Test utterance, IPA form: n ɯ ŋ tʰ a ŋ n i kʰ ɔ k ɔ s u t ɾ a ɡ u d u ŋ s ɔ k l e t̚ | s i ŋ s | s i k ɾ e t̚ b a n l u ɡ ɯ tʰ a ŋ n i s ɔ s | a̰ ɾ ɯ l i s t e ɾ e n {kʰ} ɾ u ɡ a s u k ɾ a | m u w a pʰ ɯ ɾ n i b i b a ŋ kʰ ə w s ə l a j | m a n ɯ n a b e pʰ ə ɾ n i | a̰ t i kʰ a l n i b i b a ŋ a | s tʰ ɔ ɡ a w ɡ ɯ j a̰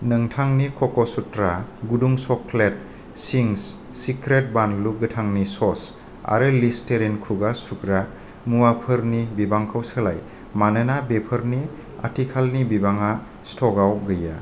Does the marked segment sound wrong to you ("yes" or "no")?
no